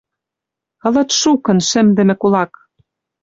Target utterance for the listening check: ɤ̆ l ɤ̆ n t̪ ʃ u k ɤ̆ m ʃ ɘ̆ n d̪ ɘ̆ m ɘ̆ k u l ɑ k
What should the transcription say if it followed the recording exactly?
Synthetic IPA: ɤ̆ l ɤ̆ t̪ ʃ u k ɤ̆ n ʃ ɘ̆ m d̪ ɘ̆ m ɘ̆ k u l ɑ k